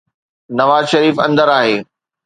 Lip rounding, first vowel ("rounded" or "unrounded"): unrounded